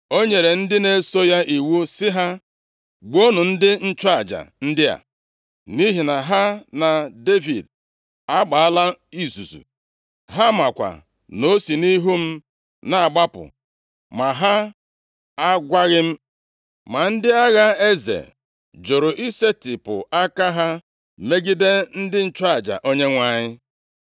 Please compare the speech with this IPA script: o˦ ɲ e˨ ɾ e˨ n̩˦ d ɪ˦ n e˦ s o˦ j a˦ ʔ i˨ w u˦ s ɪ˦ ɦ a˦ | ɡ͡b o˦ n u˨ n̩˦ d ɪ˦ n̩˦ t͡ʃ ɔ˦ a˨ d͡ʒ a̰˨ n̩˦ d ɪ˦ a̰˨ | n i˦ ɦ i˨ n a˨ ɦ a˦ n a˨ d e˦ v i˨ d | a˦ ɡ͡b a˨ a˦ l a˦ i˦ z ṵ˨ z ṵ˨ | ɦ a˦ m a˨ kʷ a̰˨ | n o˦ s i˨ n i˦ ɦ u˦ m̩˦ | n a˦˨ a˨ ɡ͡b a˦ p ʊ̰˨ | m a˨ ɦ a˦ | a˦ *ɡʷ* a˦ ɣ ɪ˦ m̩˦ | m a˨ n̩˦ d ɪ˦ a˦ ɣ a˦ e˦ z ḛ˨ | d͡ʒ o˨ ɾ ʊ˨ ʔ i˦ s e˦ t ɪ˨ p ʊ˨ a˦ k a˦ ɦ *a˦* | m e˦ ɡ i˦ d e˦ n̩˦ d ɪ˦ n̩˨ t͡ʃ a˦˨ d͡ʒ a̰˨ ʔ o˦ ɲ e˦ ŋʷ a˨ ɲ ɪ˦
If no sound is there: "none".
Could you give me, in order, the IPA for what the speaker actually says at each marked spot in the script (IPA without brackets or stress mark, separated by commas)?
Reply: ɡʷ, a˦